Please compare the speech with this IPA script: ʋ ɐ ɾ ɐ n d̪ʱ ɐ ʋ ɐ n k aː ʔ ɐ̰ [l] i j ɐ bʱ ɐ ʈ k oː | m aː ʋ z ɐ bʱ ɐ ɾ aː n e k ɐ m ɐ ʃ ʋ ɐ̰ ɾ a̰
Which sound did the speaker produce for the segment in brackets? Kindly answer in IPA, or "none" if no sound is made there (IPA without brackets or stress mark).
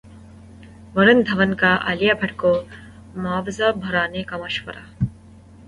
l